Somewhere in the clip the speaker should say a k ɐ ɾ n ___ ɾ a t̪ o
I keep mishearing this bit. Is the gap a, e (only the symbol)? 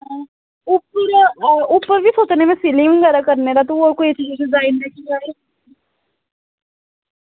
e